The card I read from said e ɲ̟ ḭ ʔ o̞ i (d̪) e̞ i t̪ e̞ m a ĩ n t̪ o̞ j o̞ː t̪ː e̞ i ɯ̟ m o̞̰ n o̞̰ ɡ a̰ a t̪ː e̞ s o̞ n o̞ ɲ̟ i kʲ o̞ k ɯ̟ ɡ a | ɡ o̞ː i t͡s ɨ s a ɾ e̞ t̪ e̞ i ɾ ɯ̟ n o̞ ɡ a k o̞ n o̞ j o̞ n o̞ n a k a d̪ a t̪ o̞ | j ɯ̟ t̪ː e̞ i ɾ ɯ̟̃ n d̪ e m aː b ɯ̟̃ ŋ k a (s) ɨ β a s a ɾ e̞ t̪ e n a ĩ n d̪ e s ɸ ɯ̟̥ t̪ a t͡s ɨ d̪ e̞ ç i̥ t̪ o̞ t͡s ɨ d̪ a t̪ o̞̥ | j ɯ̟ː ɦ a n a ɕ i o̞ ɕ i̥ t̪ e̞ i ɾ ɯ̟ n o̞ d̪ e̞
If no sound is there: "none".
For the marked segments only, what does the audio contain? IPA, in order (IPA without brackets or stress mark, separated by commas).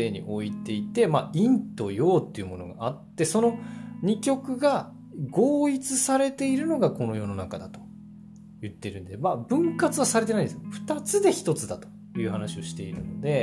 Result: t̪, t͡s